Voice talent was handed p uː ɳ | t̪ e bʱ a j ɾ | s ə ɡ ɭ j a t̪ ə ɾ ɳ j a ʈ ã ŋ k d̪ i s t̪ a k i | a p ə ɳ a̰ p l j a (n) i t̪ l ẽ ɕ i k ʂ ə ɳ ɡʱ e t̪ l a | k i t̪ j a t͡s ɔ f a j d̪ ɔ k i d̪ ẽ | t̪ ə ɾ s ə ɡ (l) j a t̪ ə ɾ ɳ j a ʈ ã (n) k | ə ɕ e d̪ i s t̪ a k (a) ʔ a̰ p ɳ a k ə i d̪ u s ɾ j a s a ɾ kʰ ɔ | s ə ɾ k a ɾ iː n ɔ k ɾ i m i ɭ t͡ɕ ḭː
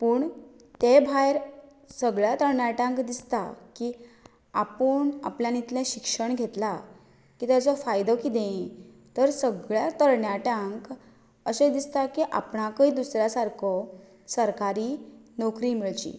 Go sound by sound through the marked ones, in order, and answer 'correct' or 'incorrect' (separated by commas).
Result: correct, incorrect, incorrect, incorrect